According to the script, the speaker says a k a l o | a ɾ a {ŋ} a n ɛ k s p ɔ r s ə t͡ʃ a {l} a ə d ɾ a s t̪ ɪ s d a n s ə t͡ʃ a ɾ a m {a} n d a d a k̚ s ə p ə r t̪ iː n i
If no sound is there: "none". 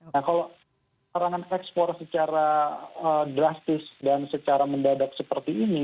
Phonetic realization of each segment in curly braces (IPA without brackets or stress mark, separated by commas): ŋ, ɾ, ə